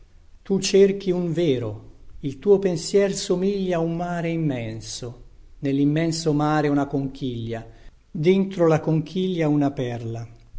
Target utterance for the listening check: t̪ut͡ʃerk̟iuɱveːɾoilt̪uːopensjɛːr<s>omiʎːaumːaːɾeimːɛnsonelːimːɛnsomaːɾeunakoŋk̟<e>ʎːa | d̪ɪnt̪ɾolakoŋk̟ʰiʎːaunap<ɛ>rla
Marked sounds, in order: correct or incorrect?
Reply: correct, incorrect: i, correct

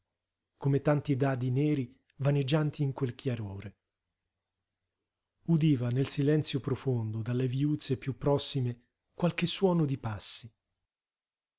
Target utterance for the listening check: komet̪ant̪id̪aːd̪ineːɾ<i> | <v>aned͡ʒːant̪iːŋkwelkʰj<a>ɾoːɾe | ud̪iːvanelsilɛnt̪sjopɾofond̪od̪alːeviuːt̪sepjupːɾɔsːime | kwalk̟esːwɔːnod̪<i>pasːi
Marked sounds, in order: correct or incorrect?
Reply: correct, correct, correct, correct

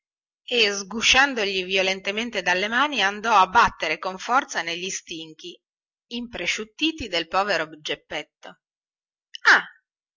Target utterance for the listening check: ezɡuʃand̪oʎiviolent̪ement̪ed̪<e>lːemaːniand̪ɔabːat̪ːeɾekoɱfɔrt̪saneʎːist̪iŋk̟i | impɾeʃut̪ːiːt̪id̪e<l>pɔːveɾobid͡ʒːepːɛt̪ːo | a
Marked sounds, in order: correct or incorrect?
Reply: incorrect: a, correct

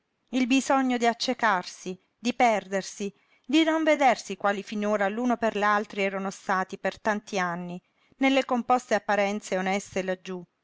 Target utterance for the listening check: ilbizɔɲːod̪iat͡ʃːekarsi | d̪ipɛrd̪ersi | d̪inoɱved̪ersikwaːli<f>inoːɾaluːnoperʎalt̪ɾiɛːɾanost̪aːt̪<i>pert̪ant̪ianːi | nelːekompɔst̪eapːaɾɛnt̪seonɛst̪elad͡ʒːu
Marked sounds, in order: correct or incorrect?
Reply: correct, correct

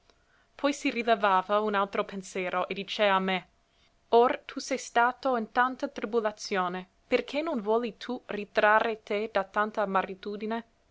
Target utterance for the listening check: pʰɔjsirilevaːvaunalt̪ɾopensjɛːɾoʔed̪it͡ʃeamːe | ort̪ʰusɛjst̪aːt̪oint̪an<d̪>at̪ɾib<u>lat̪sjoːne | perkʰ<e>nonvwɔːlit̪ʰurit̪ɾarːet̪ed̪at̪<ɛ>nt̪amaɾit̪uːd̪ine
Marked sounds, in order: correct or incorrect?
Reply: incorrect: t̪, correct, correct, incorrect: a

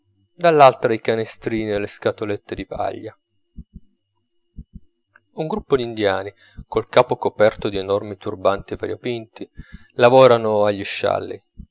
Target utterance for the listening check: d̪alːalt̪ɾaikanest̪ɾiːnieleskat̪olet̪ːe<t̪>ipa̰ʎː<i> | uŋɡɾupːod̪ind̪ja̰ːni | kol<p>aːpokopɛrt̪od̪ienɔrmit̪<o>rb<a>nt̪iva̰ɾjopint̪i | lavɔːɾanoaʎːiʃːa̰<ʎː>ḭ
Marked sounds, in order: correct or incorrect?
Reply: incorrect: d̪, incorrect: a, incorrect: k, incorrect: u, correct, incorrect: lː

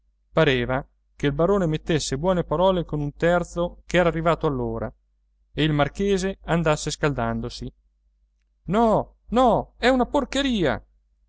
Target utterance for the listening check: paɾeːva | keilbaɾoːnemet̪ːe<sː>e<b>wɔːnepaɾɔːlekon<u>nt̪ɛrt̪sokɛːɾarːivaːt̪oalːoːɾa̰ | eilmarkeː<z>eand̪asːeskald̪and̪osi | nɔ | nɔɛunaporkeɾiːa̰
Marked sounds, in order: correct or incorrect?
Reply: correct, correct, correct, correct

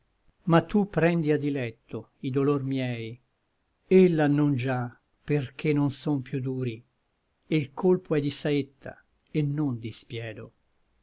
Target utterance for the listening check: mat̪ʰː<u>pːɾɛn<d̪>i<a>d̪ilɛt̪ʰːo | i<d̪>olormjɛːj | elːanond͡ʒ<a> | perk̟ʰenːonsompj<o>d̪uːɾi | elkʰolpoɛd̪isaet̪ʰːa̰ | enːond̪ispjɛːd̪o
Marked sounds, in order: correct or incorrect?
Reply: correct, correct, correct, correct, correct, incorrect: u

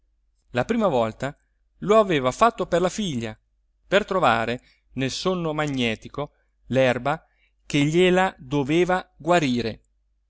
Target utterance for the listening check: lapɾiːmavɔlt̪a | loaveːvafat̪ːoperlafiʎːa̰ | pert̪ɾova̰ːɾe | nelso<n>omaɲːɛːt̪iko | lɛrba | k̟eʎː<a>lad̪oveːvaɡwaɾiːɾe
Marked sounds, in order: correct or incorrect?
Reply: incorrect: nː, incorrect: e

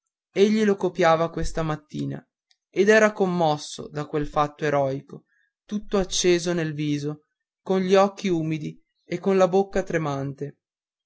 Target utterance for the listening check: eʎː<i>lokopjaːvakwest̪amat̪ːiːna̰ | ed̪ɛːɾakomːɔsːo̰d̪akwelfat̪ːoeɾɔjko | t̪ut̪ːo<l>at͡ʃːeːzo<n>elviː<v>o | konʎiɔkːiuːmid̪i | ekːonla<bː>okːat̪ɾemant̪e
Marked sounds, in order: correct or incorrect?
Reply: correct, incorrect: none, correct, incorrect: z, incorrect: b

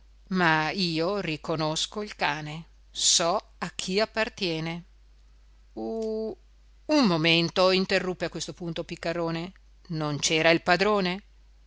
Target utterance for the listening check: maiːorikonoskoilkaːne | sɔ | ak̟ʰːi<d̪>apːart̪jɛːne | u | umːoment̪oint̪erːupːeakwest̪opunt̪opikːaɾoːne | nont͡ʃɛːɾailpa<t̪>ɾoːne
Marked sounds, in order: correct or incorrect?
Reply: incorrect: none, incorrect: d̪

